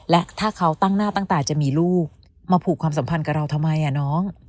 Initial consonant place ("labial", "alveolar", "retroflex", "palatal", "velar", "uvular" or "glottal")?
alveolar